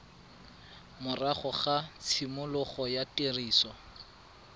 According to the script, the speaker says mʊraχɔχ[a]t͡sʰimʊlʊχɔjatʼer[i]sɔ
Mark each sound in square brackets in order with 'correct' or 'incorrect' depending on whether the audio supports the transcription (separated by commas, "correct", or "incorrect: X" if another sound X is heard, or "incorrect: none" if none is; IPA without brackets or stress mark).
correct, incorrect: iː